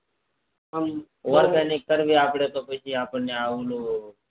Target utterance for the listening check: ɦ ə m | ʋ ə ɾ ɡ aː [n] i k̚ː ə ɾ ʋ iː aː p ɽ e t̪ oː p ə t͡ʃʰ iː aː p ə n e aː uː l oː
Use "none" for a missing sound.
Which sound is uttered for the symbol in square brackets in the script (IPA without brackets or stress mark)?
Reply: n